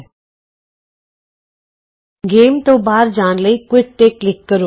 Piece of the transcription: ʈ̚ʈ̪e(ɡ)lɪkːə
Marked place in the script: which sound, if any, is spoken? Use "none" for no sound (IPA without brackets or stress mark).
k